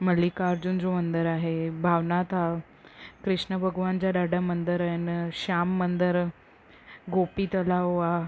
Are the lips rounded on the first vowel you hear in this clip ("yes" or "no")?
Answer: no